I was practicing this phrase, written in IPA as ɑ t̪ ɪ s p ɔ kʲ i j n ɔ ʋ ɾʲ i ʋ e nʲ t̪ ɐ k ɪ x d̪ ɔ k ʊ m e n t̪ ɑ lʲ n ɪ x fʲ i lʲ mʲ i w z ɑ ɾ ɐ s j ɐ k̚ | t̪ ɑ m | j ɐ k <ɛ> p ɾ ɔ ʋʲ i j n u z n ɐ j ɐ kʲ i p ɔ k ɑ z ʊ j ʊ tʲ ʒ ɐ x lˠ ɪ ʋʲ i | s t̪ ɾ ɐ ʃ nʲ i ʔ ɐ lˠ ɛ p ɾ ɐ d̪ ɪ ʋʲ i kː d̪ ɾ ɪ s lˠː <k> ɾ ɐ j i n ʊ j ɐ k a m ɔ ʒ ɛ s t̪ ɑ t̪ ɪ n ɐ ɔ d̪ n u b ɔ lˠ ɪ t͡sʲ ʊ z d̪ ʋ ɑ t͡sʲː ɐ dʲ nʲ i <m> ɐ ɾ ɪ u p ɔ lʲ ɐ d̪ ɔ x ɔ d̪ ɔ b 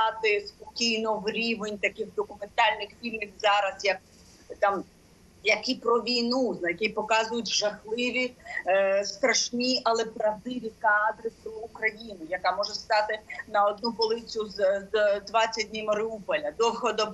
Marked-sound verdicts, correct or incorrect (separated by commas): incorrect, correct, correct